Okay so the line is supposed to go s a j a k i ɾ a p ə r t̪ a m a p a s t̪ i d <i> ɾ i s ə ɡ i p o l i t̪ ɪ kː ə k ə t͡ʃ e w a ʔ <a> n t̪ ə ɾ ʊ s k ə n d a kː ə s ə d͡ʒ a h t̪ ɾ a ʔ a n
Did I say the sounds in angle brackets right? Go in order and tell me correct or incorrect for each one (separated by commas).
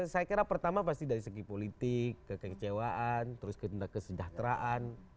incorrect, correct